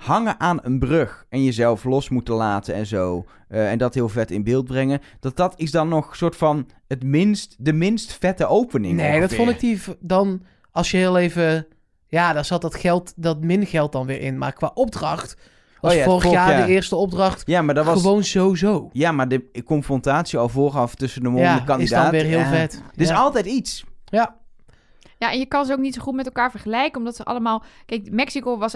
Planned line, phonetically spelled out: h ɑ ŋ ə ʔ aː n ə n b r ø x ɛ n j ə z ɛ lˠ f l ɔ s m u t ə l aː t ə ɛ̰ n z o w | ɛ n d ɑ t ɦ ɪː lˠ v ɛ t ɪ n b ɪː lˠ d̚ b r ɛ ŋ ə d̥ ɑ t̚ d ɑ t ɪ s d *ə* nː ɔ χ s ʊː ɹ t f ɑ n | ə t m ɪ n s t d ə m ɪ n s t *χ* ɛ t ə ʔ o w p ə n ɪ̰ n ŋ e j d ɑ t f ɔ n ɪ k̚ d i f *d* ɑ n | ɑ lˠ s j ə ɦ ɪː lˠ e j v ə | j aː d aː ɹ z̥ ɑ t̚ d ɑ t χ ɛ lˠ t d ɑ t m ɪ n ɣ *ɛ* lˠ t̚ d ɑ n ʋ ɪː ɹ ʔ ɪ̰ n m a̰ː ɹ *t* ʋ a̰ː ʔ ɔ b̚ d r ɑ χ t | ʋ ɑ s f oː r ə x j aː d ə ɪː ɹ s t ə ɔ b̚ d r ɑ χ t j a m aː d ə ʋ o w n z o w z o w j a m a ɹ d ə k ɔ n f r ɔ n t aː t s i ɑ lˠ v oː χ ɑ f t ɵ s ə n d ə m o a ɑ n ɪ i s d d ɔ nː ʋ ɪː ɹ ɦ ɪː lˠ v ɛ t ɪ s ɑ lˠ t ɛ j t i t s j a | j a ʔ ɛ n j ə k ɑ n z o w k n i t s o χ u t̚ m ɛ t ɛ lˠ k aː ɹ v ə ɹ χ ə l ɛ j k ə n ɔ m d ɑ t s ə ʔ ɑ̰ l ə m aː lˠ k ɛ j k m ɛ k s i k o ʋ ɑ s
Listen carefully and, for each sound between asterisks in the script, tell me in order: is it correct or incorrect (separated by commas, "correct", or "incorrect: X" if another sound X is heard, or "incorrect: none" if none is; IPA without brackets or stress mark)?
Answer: incorrect: ɑ, incorrect: f, correct, correct, incorrect: k